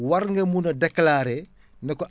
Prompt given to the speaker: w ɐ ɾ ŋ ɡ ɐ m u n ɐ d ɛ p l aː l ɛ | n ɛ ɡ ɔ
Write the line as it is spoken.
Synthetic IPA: w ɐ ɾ ŋ ɡ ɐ m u n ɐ d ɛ k l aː ɾ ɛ | n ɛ k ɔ